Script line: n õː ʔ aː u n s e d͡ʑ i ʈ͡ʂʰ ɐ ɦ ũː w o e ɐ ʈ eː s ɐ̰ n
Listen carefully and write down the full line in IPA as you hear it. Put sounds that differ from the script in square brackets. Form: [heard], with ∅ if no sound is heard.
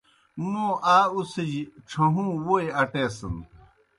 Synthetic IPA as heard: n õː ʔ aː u [∅] s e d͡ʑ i ʈ͡ʂʰ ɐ ɦ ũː w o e ɐ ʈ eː s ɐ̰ n